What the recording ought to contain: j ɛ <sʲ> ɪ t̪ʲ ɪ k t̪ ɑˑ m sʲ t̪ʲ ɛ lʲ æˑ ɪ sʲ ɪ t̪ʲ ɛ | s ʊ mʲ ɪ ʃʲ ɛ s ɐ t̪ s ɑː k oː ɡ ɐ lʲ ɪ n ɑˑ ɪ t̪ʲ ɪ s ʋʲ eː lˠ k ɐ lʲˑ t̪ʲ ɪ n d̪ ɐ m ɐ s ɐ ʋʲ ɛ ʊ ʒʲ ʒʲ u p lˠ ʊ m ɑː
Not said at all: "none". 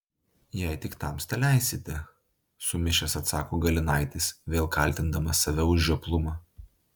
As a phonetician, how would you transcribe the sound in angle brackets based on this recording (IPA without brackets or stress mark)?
none